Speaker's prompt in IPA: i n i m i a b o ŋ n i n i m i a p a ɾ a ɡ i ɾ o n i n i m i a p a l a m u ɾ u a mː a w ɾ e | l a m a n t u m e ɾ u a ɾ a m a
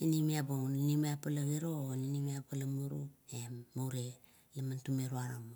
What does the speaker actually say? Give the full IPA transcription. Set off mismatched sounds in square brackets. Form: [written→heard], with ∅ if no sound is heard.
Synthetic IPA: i n i m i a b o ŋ n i n i m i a p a [ɾ→l] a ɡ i ɾ o n i n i m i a p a l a m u ɾ u [a→e] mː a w ɾ e | l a m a n t u m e ɾ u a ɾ a m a